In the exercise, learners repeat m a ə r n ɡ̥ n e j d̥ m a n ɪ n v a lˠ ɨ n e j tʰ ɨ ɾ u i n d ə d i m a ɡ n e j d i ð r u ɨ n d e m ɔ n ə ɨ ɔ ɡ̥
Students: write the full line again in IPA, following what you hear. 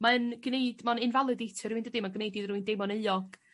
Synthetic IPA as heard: m a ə n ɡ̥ n e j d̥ m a n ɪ n v a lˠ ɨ d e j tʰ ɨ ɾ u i n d ə d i m a ɡ n e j d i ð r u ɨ n d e m ɔ n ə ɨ ɔ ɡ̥